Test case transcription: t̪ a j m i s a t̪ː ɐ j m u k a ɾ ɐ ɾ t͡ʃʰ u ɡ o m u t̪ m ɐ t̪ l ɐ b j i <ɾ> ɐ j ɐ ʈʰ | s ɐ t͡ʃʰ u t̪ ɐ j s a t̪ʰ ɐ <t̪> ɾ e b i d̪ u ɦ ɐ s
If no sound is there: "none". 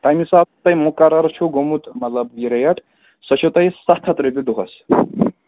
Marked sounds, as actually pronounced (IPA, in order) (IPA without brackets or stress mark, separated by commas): ɾ, t̪